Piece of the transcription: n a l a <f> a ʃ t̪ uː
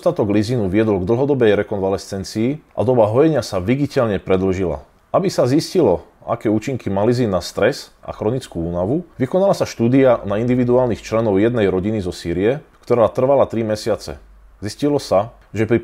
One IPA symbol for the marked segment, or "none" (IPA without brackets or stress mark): s